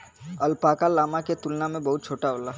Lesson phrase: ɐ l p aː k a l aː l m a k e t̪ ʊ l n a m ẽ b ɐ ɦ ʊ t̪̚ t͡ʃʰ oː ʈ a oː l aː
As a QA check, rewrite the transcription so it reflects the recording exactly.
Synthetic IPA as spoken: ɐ l p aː k a l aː m a k e t̪ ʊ l n a m ẽ b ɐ ɦ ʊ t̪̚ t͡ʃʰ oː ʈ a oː l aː